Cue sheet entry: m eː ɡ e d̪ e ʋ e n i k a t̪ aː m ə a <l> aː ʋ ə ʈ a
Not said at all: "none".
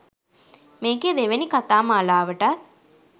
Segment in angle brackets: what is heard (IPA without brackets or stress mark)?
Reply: l